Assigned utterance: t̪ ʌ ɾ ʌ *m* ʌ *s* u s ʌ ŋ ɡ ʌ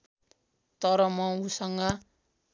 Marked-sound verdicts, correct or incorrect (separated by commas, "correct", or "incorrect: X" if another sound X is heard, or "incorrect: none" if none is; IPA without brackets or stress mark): correct, incorrect: none